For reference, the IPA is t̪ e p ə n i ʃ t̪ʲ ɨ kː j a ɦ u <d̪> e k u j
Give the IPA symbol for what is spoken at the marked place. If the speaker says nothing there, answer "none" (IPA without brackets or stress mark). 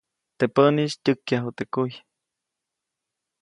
t̪